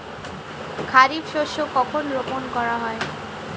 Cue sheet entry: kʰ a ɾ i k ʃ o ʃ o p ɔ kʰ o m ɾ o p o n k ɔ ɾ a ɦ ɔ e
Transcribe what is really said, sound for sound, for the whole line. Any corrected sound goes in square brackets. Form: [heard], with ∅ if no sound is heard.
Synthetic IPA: kʰ a ɾ i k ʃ o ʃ o [k] ɔ kʰ o [n] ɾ o p o n k ɔ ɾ a ɦ ɔ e